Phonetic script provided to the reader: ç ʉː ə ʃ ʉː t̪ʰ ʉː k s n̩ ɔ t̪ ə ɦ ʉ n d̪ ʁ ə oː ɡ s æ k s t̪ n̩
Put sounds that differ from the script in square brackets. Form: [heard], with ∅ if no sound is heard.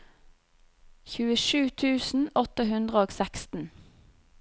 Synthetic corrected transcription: ç ʉː ə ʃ ʉː t̪ʰ ʉː [∅] s n̩ ɔ t̪ ə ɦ ʉ n d̪ ʁ ə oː ɡ s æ k s t̪ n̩